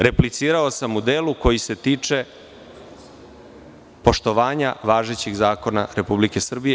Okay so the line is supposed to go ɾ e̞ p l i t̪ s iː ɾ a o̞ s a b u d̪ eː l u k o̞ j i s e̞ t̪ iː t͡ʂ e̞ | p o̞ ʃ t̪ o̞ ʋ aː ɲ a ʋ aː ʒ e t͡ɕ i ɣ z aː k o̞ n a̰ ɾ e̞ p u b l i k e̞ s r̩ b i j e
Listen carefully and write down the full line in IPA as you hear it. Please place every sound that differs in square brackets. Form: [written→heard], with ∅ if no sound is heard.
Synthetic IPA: ɾ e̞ p l i t̪ s iː ɾ a o̞ s a [b→m] u d̪ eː l u k o̞ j i s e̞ t̪ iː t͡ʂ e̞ | p o̞ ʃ t̪ o̞ ʋ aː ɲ a ʋ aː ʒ e t͡ɕ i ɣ z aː k o̞ n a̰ ɾ e̞ p u b l i k e̞ s r̩ b i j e